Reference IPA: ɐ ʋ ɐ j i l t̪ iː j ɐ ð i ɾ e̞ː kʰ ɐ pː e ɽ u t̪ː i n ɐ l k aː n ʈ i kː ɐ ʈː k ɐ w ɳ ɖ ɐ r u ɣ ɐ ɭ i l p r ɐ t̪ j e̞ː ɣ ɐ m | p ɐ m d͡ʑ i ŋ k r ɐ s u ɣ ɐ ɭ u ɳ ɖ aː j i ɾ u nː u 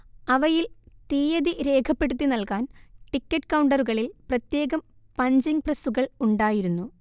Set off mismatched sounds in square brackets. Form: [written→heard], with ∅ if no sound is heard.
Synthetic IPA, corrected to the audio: ɐ ʋ ɐ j i l t̪ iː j ɐ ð i ɾ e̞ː kʰ ɐ pː e ɽ u t̪ː i n ɐ l k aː n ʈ i kː ɐ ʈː k ɐ w ɳ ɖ ɐ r u ɣ ɐ ɭ i l p r ɐ t̪ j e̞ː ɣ ɐ m | p ɐ [m→ɲ] d͡ʑ i ŋ [k→p] r ɐ s u ɣ ɐ ɭ u ɳ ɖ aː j i ɾ u nː u

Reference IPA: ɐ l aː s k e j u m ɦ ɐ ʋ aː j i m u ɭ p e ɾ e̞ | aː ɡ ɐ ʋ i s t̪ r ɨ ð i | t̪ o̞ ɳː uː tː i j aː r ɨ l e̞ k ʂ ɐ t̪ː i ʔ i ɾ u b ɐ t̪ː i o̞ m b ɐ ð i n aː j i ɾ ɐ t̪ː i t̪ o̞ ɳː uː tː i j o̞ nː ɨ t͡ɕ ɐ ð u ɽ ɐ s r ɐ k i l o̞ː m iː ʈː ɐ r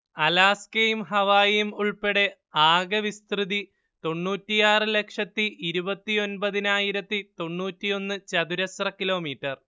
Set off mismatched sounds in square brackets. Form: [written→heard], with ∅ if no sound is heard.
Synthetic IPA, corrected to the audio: ɐ l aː s k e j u m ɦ ɐ ʋ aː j i m u ɭ p e [ɾ→ɽ] e̞ | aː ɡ ɐ ʋ i s t̪ r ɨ ð i | t̪ o̞ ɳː uː tː i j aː r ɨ l e̞ k ʂ ɐ t̪ː i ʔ i ɾ u b ɐ t̪ː i o̞ [m→n] b ɐ ð i n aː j i ɾ ɐ t̪ː i t̪ o̞ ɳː uː tː i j o̞ nː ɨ t͡ɕ ɐ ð u [ɽ→ɾ] ɐ s r ɐ k i l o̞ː m iː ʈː ɐ r

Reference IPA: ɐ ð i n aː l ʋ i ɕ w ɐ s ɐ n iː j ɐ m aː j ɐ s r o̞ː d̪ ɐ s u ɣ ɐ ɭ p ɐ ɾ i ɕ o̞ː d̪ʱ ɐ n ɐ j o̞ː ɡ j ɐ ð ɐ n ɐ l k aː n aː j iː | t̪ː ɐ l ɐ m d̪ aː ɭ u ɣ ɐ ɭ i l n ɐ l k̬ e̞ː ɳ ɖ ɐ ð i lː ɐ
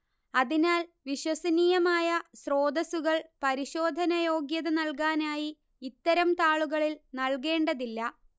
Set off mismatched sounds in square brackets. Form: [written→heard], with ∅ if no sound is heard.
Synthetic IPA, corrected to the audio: ɐ ð i n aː l ʋ i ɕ w ɐ s ɐ n iː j ɐ m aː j ɐ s r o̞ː d̪ ɐ s u ɣ ɐ ɭ p ɐ ɾ i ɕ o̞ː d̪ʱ ɐ n ɐ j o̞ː ɡ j ɐ ð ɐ n ɐ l k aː n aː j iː | t̪ː ɐ [l→ɾ] ɐ m [d̪→t̪] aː ɭ u ɣ ɐ ɭ i l n ɐ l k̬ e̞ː ɳ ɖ ɐ ð i lː ɐ

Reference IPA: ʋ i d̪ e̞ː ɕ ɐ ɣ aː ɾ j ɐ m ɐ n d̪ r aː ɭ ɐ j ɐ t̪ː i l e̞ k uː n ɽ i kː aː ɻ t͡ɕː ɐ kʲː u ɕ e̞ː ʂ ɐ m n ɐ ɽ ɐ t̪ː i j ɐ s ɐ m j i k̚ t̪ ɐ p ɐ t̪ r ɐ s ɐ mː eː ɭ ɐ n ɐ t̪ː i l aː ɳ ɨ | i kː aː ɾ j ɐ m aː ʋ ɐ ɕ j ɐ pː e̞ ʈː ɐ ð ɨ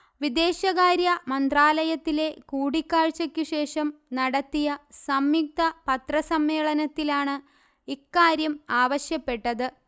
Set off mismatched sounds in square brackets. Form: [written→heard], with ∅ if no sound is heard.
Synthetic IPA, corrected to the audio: ʋ i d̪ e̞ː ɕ ɐ ɣ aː ɾ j ɐ m ɐ n d̪ r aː [ɭ→l] ɐ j ɐ t̪ː i l e̞ k uː [n→∅] ɽ i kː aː ɻ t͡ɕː ɐ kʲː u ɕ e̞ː ʂ ɐ m n ɐ ɽ ɐ t̪ː i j ɐ s ɐ m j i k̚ t̪ ɐ p ɐ t̪ r ɐ s ɐ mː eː ɭ ɐ n ɐ t̪ː i l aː ɳ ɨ | i kː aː ɾ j ɐ m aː ʋ ɐ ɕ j ɐ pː e̞ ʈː ɐ ð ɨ

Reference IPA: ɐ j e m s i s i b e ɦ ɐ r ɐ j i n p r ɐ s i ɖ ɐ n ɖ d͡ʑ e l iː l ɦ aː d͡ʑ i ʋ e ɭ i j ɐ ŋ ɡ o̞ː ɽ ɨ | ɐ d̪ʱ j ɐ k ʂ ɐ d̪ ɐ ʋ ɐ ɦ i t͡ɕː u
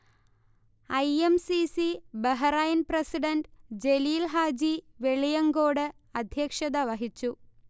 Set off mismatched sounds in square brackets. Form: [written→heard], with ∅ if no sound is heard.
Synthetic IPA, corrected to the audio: ɐ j e m s i s i b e ɦ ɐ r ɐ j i n p r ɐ s i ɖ ɐ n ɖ d͡ʑ e l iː l ɦ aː d͡ʑ i ʋ e ɭ i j ɐ ŋ ɡ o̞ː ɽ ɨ | ɐ d̪ʱ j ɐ k ʂ ɐ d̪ ɐ ʋ ɐ ɦ i t͡ɕː u

